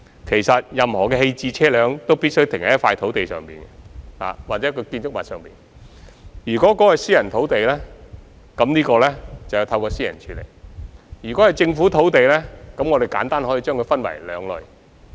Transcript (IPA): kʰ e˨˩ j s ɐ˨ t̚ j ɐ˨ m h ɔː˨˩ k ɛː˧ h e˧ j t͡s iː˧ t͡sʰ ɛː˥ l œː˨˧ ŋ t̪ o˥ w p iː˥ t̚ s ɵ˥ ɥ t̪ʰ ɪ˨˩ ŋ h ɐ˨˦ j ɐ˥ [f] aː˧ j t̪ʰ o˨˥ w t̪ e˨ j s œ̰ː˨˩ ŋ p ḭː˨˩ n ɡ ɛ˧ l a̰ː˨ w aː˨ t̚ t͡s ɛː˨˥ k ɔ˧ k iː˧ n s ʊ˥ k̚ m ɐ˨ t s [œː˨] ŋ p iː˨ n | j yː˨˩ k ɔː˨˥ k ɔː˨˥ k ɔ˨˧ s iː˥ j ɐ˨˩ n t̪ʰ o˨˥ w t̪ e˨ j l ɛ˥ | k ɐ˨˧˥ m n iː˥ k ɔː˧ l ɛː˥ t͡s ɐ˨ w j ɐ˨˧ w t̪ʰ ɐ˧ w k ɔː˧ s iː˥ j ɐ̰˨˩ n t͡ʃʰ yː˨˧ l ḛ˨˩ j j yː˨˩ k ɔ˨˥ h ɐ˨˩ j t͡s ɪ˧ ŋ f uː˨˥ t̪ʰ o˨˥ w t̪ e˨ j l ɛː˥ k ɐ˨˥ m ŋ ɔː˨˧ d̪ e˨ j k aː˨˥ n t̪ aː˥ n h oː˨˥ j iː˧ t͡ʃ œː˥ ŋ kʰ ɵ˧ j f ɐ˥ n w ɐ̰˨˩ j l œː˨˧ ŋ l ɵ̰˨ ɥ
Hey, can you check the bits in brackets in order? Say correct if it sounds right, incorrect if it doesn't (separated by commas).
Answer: correct, correct